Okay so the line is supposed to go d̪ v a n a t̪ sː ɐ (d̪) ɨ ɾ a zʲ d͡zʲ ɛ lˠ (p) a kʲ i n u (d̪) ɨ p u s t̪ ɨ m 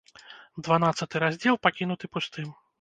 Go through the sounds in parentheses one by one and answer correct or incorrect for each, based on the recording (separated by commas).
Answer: incorrect, correct, incorrect